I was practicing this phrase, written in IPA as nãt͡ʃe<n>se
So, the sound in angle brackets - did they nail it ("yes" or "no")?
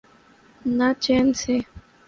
yes